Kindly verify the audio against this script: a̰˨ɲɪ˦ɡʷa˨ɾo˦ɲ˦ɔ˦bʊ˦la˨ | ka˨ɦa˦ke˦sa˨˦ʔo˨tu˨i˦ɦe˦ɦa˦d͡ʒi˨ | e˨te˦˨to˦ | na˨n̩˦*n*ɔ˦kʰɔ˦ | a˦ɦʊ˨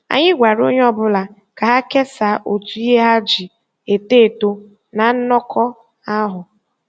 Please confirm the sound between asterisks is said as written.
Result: yes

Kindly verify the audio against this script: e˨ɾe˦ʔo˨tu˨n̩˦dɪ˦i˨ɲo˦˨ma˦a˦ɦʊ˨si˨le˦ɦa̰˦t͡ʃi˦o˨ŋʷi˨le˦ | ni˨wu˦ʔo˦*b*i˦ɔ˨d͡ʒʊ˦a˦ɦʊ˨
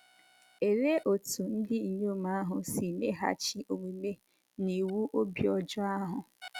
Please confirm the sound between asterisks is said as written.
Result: yes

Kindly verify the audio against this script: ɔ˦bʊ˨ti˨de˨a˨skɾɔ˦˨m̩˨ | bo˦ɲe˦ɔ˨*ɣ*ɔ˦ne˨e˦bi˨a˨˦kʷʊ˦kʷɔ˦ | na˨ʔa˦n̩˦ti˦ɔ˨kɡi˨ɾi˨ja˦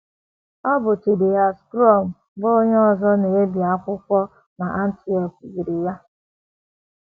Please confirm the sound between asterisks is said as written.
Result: no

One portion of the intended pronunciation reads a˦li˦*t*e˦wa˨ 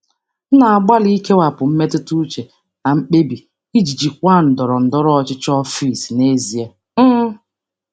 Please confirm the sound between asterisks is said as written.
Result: no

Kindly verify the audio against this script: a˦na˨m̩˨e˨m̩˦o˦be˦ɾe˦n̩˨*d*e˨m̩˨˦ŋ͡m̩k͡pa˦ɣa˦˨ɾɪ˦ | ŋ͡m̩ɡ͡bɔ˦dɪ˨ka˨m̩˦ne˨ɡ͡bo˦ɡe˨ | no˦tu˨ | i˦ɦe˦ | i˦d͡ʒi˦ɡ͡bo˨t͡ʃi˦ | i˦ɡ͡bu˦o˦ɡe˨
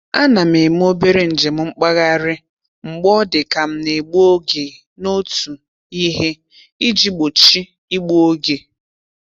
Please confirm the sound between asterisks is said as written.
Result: no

